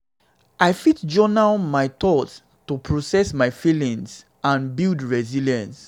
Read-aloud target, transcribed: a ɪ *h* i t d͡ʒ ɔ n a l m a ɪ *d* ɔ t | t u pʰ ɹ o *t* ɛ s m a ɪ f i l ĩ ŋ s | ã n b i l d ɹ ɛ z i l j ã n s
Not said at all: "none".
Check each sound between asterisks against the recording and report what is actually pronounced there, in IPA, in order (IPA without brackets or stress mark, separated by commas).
f, t, s